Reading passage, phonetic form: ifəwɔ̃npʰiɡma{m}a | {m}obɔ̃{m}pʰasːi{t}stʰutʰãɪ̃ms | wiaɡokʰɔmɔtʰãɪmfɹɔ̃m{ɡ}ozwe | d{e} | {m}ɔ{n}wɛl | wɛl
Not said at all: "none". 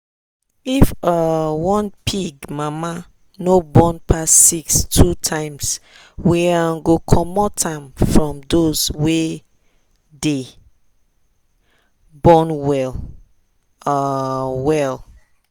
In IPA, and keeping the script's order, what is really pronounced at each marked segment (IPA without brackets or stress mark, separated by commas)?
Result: m, n, n, k, d, e, b, n